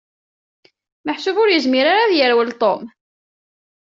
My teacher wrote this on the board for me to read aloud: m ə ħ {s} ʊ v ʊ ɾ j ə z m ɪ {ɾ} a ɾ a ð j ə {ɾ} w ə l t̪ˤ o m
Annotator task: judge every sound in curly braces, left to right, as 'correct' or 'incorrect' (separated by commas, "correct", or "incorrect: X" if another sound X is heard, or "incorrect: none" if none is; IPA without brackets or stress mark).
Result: correct, correct, correct